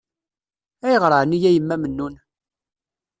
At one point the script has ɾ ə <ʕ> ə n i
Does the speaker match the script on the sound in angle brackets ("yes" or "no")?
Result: yes